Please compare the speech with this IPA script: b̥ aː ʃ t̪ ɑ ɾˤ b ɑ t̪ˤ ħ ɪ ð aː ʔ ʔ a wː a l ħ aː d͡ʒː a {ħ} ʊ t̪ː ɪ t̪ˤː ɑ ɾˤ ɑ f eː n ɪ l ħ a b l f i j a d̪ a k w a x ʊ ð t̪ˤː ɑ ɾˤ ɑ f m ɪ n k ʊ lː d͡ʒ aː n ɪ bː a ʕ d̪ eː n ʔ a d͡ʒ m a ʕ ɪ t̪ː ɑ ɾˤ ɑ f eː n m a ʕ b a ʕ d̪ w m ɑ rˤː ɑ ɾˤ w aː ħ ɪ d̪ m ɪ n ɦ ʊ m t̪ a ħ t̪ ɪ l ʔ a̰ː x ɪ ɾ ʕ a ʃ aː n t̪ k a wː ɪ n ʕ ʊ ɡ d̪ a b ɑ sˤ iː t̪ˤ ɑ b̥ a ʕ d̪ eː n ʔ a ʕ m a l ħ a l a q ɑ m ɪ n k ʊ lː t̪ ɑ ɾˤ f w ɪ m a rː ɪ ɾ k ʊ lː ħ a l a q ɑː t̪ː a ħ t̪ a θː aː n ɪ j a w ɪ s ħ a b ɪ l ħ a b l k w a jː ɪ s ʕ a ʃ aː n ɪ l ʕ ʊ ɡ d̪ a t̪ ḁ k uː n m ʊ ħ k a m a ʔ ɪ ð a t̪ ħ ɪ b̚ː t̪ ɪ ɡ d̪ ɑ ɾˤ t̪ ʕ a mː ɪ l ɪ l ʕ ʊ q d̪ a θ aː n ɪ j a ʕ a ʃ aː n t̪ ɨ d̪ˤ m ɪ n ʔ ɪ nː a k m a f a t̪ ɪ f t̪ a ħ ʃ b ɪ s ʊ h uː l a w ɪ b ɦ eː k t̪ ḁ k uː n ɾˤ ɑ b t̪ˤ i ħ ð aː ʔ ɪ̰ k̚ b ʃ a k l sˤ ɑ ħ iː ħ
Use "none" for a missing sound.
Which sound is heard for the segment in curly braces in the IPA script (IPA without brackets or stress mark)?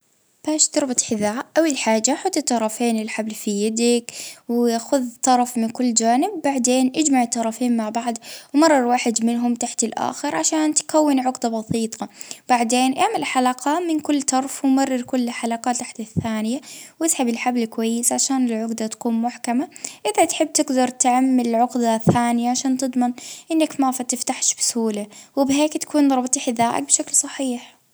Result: ħ